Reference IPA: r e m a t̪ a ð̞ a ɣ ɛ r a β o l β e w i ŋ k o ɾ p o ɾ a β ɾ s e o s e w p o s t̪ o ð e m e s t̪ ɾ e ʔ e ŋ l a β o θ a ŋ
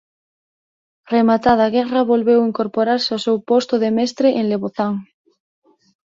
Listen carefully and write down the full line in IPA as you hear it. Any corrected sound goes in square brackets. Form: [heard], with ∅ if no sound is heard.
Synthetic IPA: r e m a t̪ a ð̞ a ɣ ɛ r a β o l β e w i ŋ k o ɾ p o ɾ a [∅] ɾ s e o s e w p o s t̪ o ð e m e s t̪ ɾ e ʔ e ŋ l [e] β o θ a ŋ